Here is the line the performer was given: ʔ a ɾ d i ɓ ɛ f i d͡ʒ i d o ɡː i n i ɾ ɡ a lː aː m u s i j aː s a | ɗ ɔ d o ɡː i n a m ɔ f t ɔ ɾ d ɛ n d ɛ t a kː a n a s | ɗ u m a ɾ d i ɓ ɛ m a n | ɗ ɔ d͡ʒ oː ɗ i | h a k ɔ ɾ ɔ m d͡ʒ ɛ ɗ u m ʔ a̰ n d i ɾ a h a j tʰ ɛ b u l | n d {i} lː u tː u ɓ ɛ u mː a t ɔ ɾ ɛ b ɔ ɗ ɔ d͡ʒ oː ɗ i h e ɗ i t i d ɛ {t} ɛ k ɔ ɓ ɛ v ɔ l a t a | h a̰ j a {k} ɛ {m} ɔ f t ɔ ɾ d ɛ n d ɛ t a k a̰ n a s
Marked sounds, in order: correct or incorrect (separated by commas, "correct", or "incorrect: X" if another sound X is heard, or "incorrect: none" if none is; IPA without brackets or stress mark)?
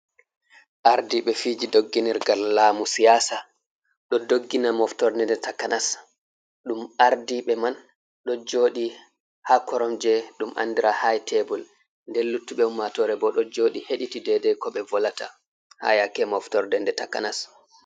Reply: incorrect: ɛ, incorrect: d, correct, correct